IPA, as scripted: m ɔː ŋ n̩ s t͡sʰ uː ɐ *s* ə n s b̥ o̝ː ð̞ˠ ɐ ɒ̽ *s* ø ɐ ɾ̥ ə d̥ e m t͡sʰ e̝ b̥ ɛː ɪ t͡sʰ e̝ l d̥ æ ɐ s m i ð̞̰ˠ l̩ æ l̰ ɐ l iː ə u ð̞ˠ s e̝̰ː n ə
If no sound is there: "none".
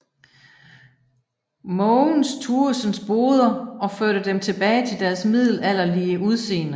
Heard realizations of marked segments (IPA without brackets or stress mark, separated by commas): s, f